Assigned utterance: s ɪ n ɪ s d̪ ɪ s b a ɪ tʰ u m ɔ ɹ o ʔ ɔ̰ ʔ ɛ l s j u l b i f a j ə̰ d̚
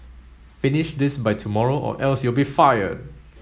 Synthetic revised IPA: f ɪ n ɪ ʃ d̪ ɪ s b a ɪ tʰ u m ɔ ɹ o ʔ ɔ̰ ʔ ɛ l s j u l b i f a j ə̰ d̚